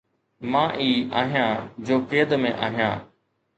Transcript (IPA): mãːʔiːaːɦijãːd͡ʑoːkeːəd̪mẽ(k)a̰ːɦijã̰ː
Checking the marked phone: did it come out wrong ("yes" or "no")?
yes